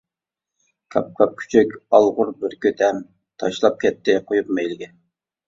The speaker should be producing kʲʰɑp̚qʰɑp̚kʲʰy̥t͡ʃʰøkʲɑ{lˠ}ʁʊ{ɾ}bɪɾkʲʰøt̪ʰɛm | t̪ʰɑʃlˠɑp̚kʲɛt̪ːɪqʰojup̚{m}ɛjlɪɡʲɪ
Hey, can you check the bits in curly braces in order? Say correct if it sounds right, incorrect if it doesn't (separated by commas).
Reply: correct, correct, correct